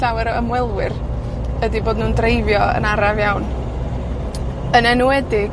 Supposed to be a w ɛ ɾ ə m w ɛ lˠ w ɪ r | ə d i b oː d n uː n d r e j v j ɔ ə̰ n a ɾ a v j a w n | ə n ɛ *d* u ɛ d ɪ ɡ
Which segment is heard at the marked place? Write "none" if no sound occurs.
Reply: n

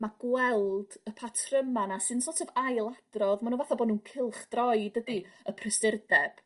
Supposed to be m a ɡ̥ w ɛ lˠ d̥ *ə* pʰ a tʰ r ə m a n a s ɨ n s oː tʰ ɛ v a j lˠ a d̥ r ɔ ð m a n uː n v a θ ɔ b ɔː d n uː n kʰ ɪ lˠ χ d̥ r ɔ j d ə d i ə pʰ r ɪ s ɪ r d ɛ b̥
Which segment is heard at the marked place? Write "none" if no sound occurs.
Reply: ə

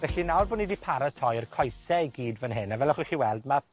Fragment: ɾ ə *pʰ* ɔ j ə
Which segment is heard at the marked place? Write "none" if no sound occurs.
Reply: tʰ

